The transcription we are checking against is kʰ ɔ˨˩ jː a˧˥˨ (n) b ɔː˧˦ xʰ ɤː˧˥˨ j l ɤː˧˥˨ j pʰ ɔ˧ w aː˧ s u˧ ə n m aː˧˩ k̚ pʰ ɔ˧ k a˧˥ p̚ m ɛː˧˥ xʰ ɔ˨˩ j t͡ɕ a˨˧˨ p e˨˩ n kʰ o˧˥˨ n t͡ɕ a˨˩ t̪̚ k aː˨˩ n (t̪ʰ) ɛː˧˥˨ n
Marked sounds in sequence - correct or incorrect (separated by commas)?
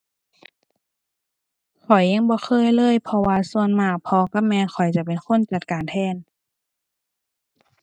incorrect, correct